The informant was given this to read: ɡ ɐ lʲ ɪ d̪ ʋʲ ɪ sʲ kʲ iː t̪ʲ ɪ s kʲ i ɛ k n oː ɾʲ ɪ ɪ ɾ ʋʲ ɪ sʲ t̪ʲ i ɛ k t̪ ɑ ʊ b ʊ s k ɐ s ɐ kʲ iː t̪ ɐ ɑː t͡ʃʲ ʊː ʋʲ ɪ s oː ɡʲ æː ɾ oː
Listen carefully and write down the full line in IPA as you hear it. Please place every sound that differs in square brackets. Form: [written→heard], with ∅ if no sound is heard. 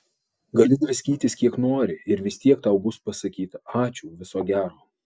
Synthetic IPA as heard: ɡ ɐ lʲ ɪ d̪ ʋʲ ɪ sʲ kʲ iː t̪ʲ ɪ s kʲ i ɛ k n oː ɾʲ ɪ ɪ ɾ ʋʲ ɪ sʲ t̪ʲ i ɛ k t̪ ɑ ʊ b ʊ s [k→p] ɐ s ɐ kʲ iː t̪ ɐ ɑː t͡ʃʲ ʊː ʋʲ ɪ s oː ɡʲ æː ɾ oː

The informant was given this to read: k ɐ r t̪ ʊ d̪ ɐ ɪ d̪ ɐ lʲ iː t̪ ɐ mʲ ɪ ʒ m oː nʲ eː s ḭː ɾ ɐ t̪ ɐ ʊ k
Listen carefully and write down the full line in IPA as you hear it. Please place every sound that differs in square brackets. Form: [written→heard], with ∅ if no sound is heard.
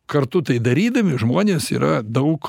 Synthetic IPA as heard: k ɐ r t̪ ʊ [d̪→t̪] ɐ ɪ d̪ ɐ [lʲ→ɾʲ] iː [t̪→d̪] ɐ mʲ ɪ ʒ m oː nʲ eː s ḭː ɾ ɐ [t̪→d̪] ɐ ʊ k

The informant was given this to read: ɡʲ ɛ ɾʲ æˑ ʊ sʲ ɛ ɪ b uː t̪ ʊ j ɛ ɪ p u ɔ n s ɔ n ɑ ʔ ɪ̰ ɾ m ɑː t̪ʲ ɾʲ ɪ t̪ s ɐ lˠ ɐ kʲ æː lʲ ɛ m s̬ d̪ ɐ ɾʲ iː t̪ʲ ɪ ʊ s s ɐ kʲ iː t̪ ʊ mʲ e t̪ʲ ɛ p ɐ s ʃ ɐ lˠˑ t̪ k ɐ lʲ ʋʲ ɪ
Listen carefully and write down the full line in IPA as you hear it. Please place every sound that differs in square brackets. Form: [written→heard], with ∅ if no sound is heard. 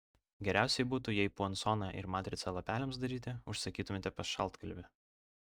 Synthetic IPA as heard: ɡʲ ɛ ɾʲ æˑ ʊ sʲ ɛ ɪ b uː t̪ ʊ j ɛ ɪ p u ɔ n s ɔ n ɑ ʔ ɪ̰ ɾ m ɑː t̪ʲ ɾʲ ɪ t̪ s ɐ lˠ ɐ [kʲ→pʲ] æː lʲ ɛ m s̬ d̪ ɐ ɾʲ iː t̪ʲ ɪ ʊ [s→ʃ] s ɐ kʲ iː t̪ ʊ mʲ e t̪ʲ ɛ p ɐ s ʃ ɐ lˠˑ t̪ k ɐ lʲ ʋʲ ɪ

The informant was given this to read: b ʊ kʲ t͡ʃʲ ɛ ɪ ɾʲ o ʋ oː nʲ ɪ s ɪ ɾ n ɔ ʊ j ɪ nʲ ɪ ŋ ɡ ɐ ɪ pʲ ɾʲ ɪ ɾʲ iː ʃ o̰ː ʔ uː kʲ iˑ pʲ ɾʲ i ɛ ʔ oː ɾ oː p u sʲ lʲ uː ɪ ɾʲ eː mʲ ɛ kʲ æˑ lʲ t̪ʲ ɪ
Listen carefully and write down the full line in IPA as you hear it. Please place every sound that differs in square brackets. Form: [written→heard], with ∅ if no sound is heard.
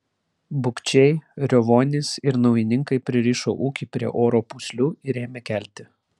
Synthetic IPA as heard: b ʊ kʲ t͡ʃʲ ɛ ɪ ɾʲ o ʋ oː nʲ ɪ s ɪ ɾ n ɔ ʊ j ɪ nʲ ɪ ŋ [ɡ→k] ɐ ɪ pʲ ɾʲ ɪ ɾʲ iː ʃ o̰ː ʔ uː kʲ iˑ pʲ ɾʲ i ɛ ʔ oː ɾ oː p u sʲ lʲ uː ɪ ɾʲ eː mʲ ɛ kʲ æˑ lʲ t̪ʲ ɪ

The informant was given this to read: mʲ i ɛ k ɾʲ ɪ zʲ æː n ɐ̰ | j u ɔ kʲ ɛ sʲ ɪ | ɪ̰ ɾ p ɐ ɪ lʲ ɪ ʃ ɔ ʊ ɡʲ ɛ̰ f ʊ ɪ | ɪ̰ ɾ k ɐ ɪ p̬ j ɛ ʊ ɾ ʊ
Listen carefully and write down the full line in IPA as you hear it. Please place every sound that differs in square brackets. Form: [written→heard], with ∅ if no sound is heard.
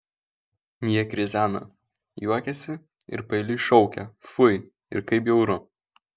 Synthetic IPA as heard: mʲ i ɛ k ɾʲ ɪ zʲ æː n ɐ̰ | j u ɔ kʲ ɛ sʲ ɪ | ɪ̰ ɾ p ɐ ɪ lʲ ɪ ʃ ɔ ʊ [ɡʲ→kʲ] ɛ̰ f ʊ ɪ | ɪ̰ ɾ k ɐ ɪ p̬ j ɛ ʊ ɾ ʊ

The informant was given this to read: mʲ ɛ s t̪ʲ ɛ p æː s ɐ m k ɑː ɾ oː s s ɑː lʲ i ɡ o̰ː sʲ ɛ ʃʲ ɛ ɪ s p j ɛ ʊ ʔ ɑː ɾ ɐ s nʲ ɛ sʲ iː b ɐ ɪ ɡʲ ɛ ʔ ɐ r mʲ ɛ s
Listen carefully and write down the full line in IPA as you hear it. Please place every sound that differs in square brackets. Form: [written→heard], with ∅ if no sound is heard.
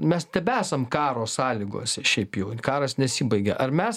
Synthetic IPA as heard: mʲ ɛ s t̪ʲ ɛ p æː s ɐ m k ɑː ɾ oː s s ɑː lʲ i ɡ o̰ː sʲ ɛ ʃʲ ɛ ɪ [s→∅] p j ɛ ʊ [ʔ→k] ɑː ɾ ɐ s nʲ ɛ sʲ iː b ɐ ɪ ɡʲ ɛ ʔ ɐ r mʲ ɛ s

